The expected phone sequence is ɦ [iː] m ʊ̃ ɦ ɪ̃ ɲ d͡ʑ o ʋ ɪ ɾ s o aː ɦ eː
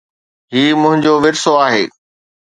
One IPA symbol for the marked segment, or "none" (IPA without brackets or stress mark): iː